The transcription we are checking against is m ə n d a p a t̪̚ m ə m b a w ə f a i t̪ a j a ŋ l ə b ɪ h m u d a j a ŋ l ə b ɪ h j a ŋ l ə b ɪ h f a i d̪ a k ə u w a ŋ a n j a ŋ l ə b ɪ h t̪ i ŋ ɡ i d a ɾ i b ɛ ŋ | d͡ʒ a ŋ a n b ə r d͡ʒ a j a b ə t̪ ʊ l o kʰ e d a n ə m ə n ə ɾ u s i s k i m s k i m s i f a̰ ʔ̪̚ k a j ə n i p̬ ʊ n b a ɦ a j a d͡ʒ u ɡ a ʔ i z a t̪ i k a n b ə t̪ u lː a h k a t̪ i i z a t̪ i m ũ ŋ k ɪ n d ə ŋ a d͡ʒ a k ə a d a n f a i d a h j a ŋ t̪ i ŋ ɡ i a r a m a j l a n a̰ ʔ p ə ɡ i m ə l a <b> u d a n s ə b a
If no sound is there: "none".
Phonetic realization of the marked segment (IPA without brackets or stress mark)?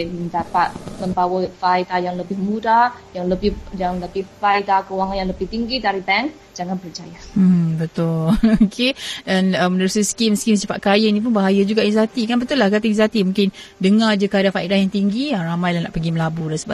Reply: b